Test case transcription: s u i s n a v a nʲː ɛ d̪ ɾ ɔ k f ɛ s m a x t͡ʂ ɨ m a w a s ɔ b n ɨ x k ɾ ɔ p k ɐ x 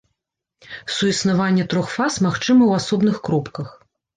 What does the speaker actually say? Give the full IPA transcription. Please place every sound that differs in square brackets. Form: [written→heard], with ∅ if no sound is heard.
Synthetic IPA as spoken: s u i s n a v a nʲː ɛ [d̪→t̪] ɾ ɔ [k→x] f [ɛ→a] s m a x t͡ʂ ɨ m [a→ɐ] w a s ɔ b n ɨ x k ɾ ɔ p k ɐ x